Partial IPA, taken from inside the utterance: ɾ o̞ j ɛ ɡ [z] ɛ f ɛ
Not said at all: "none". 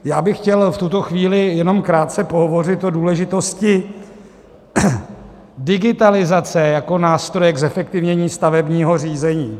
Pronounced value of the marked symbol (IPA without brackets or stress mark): z